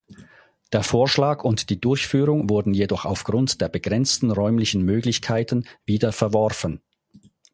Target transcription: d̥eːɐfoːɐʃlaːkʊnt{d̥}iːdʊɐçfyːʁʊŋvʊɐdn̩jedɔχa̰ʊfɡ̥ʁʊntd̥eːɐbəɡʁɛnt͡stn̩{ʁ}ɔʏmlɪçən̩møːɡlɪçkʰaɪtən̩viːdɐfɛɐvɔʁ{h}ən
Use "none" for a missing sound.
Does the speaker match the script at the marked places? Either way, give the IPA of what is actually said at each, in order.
d̥, ʁ, f

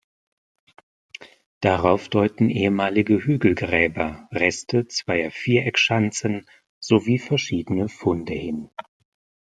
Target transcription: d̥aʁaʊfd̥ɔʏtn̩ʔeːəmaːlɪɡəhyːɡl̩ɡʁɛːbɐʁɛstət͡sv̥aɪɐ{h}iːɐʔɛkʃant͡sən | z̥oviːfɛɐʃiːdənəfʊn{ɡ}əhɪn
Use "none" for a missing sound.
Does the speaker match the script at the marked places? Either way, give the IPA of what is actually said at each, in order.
f, d

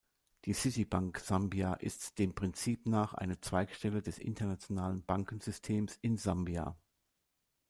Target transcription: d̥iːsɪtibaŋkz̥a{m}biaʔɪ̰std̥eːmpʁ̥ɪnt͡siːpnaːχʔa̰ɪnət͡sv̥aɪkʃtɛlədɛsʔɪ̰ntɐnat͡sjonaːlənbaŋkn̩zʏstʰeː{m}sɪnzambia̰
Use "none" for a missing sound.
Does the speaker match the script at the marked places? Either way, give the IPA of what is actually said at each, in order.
m, m

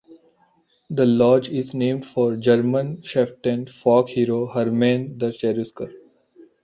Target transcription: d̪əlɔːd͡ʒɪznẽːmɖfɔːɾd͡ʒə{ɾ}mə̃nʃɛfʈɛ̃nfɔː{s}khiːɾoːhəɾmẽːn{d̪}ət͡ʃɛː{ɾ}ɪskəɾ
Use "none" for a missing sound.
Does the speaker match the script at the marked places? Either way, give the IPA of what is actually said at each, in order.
ɾ, none, d̪, ɾ

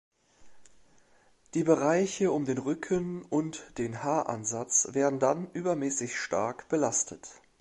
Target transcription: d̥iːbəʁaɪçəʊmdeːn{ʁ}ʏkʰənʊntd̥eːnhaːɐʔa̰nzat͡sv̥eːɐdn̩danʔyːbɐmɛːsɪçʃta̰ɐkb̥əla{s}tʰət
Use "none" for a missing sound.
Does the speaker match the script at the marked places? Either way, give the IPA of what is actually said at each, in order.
ʁ, s

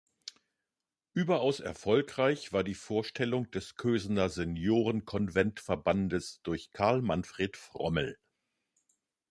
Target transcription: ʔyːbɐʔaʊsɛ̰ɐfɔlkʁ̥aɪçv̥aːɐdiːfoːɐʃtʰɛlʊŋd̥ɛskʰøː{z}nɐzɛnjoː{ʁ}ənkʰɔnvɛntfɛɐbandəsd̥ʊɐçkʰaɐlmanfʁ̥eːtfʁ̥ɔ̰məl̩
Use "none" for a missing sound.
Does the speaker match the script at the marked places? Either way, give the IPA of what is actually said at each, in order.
z, ʁ

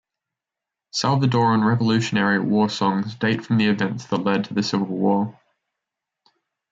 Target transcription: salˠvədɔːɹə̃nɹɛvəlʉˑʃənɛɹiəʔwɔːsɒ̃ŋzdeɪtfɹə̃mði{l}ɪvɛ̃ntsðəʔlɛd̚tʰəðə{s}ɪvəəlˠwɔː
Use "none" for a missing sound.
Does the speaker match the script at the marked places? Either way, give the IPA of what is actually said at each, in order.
none, s

